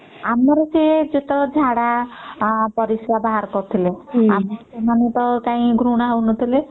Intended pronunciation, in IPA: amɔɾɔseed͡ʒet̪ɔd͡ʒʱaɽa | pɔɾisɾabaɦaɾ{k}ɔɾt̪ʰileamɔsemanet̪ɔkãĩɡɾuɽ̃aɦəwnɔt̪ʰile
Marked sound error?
no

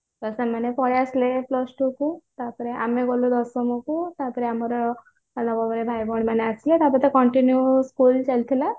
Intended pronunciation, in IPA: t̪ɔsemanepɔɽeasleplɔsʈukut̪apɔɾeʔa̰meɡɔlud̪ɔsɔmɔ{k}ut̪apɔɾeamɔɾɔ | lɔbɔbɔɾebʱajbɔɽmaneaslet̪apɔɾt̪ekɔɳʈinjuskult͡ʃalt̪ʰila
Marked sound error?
no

